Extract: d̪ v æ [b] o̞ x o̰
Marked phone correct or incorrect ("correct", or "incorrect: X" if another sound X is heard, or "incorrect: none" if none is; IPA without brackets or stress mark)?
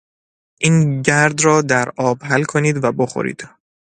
correct